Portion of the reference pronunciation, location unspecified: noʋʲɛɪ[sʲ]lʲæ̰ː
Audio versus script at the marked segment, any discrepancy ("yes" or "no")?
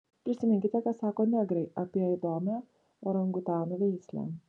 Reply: no